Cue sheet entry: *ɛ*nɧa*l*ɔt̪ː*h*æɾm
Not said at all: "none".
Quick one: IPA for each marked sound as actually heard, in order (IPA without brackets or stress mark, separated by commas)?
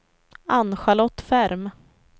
a, l, f